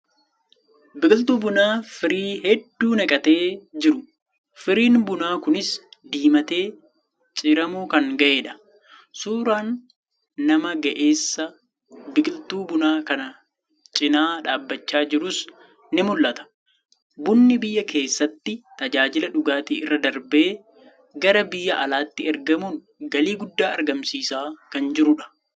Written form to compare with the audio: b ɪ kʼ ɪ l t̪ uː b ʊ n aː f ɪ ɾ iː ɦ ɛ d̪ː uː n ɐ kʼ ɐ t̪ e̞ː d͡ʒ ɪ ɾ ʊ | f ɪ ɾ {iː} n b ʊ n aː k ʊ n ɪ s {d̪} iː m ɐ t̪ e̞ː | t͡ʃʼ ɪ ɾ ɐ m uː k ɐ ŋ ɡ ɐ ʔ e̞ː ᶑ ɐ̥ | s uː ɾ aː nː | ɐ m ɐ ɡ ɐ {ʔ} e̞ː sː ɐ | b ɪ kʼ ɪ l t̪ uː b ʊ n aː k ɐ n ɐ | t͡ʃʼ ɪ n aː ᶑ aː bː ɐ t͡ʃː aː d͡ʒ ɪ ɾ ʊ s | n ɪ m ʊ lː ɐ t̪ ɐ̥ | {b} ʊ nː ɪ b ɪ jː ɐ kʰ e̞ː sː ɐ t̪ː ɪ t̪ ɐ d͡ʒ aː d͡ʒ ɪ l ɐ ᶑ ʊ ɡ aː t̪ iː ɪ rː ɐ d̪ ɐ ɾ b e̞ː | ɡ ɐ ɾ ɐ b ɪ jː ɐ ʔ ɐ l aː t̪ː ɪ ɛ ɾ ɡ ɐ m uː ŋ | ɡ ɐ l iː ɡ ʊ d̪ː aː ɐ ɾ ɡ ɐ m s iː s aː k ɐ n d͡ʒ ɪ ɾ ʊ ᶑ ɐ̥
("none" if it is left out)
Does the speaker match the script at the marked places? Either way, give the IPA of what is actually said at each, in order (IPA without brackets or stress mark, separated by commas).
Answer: iː, d̪, ʔ, b